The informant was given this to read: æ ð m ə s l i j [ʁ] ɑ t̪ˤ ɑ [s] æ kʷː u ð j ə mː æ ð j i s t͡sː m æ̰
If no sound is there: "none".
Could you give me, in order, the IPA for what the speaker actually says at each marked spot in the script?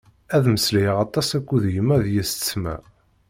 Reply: ʁ, s

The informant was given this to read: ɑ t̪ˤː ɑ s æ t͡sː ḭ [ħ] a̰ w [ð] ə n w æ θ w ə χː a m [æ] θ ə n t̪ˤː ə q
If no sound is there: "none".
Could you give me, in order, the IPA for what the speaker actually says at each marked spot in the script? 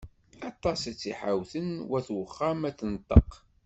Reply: ħ, θ, æ

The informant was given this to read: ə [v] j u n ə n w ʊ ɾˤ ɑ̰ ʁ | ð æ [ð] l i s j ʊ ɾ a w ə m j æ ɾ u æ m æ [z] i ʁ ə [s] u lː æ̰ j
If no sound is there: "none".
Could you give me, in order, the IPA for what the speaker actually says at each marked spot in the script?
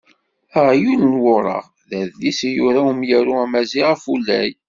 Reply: ʁ, ð, z, f

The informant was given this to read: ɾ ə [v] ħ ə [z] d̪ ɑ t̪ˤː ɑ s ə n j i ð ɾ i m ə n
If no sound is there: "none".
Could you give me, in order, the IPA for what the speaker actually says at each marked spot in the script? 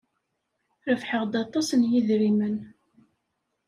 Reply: f, ʁ

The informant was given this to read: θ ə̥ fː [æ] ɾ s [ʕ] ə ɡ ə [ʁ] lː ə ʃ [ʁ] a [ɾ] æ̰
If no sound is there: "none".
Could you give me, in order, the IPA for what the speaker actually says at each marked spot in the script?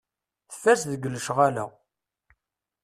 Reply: æ, ð, none, ʁ, l

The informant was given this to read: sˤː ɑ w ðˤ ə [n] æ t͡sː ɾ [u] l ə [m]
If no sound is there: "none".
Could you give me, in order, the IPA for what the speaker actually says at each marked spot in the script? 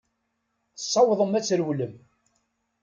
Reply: m, w, m

